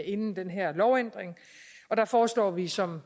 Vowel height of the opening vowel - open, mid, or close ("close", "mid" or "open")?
mid